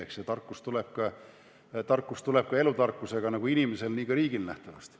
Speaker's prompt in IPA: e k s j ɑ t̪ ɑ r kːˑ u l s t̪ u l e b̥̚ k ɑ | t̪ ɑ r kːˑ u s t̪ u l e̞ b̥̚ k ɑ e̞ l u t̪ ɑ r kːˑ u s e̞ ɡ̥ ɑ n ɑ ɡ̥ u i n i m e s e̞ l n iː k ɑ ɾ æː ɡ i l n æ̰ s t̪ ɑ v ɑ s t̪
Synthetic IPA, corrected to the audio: e k s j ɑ t̪ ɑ r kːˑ u s t̪ u l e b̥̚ k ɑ | t̪ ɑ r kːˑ u s t̪ u l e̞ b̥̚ k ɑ e̞ l u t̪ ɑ r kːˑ u s e̞ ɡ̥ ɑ n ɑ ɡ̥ u i n i m e s e̞ l n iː k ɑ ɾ iː ɡ i l n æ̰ h t̪ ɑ v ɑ s t̪